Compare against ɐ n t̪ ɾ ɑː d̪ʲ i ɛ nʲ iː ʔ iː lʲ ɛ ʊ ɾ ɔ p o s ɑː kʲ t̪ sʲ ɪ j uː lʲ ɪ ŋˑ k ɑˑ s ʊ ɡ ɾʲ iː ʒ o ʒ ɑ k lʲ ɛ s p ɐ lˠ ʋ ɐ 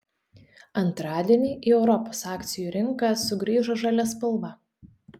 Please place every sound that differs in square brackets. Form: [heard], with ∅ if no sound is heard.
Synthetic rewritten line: ɐ n t̪ ɾ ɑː d̪ʲ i ɛ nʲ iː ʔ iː [∅] ɛ ʊ ɾ ɔ p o s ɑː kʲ t̪ sʲ ɪ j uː [ɾʲ] ɪ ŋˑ k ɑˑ s ʊ ɡ ɾʲ iː ʒ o ʒ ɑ [∅] lʲ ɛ s p ɐ lˠ ʋ ɐ